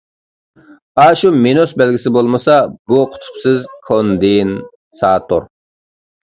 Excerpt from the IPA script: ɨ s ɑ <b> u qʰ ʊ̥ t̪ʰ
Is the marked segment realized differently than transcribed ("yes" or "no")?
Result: no